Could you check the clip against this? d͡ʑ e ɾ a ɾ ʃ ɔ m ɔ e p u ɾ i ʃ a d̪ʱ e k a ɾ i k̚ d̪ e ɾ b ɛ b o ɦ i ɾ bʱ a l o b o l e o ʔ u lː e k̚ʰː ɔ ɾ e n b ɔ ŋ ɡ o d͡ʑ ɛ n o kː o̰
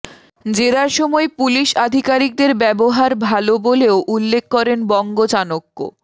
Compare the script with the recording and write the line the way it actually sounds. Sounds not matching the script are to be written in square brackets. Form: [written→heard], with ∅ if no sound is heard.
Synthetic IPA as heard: d͡ʑ e ɾ a ɾ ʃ ɔ m ɔ e p u [ɾ→l] i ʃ a d̪ʱ [e→i] k a ɾ i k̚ d̪ e ɾ b ɛ b o ɦ [i→a] ɾ bʱ a l o b o l e o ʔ u lː e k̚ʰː ɔ ɾ e n b ɔ ŋ ɡ o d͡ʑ [ɛ→a] n o kː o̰